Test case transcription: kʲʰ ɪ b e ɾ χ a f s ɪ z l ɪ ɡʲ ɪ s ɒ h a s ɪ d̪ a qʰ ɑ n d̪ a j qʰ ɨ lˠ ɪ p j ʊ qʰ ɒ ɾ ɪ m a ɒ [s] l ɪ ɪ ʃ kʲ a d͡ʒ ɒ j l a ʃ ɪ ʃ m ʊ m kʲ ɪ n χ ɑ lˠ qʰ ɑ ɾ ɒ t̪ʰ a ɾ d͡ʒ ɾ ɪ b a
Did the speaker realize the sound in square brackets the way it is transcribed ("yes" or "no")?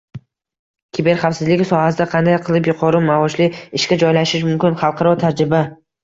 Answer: no